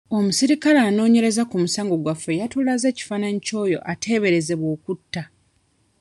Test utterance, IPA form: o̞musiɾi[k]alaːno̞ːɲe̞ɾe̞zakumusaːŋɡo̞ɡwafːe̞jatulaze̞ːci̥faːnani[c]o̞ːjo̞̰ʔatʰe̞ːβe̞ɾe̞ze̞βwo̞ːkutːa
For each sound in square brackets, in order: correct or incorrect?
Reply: correct, correct

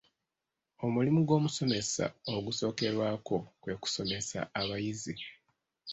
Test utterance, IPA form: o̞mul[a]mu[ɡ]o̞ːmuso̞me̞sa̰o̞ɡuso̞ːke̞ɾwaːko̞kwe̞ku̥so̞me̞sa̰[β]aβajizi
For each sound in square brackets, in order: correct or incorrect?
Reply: incorrect: i, correct, incorrect: none

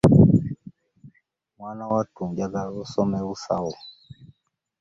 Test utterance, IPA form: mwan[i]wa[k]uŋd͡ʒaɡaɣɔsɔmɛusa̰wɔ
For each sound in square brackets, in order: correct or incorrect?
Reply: incorrect: a, incorrect: t

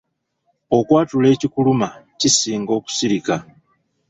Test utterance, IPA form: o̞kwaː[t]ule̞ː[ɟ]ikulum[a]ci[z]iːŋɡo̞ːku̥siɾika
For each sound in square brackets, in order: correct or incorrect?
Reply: correct, incorrect: c, correct, incorrect: s

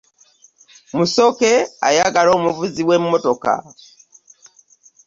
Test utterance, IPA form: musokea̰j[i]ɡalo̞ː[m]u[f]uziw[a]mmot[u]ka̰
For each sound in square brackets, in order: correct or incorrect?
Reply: incorrect: a, correct, incorrect: v, incorrect: e, incorrect: o

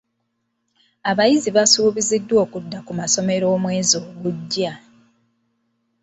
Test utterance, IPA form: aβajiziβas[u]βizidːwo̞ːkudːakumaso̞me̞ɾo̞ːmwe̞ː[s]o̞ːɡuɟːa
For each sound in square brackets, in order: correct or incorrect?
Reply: incorrect: uː, incorrect: z

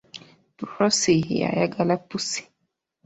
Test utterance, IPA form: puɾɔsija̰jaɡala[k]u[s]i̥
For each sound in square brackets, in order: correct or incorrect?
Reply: incorrect: p, correct

